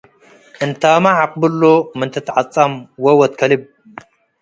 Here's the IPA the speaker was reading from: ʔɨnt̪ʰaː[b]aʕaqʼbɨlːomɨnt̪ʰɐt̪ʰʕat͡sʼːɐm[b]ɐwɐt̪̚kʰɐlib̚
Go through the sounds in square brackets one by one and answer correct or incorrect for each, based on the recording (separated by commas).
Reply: incorrect, incorrect